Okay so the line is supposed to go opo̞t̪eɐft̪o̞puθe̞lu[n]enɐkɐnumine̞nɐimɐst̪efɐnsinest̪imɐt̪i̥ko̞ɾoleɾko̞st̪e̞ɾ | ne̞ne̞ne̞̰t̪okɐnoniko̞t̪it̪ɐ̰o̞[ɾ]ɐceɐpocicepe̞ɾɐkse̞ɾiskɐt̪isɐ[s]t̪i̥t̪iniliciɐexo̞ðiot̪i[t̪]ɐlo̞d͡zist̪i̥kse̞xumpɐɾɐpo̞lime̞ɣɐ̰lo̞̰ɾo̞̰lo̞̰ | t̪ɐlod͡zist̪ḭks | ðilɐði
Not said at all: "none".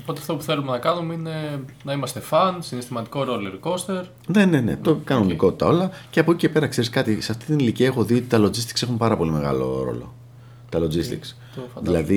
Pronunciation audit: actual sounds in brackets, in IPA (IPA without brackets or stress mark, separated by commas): m, l, f, t̪